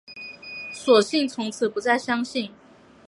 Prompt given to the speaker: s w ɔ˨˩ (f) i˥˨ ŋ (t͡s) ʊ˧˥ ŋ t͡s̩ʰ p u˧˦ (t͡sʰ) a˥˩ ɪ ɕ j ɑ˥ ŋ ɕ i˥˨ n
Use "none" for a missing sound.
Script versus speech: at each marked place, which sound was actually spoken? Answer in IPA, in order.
ɕ, t͡sʰ, t͡s

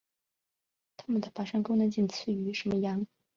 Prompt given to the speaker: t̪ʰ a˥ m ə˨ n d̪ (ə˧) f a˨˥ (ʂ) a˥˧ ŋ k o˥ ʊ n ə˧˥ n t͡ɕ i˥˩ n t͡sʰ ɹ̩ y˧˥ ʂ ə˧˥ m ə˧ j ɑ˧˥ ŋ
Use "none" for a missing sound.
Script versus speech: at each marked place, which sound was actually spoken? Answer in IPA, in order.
ə˩, ʂ

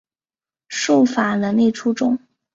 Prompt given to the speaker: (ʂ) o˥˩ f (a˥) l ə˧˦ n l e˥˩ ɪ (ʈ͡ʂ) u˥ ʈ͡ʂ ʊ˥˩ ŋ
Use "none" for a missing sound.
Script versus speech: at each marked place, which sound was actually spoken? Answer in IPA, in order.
ʂ, a˨˩, ʈ͡ʂʰ

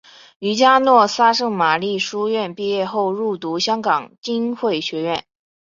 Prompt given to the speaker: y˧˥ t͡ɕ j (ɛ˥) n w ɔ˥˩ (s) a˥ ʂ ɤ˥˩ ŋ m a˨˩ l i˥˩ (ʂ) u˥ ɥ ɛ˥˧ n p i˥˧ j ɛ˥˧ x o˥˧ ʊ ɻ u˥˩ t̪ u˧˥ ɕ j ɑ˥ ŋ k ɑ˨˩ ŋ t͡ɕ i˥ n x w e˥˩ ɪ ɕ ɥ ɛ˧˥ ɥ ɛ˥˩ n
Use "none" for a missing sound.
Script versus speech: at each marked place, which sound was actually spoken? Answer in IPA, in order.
a˥, s, ʂ

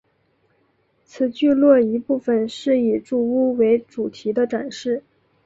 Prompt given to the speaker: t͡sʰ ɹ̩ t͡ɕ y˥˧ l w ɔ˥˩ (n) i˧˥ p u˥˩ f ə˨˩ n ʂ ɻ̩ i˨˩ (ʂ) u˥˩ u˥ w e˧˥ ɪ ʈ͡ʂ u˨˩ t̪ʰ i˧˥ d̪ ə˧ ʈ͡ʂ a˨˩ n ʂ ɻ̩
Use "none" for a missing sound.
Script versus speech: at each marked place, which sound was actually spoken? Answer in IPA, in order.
none, ʈ͡ʂ

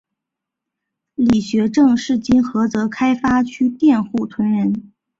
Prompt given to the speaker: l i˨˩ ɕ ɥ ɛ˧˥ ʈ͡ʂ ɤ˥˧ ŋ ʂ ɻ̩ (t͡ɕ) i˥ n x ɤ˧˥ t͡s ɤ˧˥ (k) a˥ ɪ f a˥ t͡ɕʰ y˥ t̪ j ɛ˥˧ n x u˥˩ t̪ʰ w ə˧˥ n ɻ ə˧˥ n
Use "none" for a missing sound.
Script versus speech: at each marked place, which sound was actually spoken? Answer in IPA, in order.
t͡ɕ, kʰ

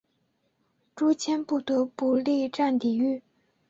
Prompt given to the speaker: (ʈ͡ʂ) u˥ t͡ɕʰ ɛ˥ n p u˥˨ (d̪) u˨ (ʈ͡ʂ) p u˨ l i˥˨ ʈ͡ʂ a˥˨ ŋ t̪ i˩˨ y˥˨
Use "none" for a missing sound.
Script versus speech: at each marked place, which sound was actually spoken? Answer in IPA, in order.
ʈ͡ʂ, t̪, none

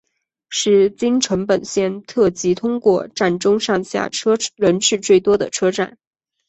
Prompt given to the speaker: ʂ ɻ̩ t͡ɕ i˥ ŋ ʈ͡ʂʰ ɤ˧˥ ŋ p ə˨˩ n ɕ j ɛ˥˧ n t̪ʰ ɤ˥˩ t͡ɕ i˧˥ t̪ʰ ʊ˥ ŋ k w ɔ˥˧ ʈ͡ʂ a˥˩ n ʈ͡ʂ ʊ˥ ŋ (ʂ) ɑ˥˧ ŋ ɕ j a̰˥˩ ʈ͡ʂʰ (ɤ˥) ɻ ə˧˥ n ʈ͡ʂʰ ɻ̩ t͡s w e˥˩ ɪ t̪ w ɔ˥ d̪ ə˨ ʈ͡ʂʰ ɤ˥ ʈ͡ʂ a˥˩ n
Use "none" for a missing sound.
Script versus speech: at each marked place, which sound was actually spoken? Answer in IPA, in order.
ʂ, ɤ˥

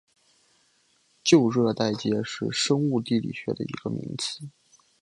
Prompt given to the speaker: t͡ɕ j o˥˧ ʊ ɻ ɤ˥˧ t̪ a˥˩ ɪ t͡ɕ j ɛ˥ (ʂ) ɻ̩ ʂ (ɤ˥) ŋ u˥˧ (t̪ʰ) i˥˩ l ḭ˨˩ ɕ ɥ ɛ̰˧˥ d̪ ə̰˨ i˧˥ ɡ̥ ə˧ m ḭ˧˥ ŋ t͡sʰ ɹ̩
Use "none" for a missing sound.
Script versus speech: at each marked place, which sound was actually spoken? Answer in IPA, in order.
ʂ, ɤ˥, t̪

